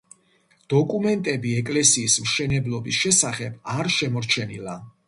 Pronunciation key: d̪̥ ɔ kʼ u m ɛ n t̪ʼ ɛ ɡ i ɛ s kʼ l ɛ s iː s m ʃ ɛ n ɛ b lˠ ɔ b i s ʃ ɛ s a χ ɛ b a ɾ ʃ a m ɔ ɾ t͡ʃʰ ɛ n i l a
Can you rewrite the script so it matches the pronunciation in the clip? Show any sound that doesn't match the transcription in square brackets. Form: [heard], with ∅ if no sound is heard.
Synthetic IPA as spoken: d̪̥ ɔ kʼ u m ɛ n t̪ʼ ɛ [b] i ɛ [∅] kʼ l ɛ s iː s m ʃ ɛ n ɛ b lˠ ɔ b i s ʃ ɛ s a χ ɛ b a ɾ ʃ [ɛ] m ɔ ɾ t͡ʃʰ ɛ n i l a